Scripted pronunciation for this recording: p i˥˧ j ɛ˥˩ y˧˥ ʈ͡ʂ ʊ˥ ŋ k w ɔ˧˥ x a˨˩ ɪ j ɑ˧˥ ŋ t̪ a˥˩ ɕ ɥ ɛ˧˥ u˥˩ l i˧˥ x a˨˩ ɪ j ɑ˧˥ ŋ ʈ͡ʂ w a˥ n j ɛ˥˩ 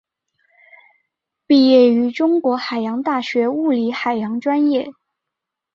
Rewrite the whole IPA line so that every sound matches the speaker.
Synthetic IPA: p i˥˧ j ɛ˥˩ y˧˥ ʈ͡ʂ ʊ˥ ŋ k w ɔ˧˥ x a˨˩ ɪ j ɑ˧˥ ŋ t̪ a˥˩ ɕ ɥ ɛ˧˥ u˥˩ l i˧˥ x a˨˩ ɪ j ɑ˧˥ ŋ ʈ͡ʂ w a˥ n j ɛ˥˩